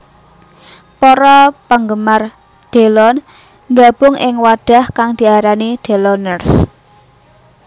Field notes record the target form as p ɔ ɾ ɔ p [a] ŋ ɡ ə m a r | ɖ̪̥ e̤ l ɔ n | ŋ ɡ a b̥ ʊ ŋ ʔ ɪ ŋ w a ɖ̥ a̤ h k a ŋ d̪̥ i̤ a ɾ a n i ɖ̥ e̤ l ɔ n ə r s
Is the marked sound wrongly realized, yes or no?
yes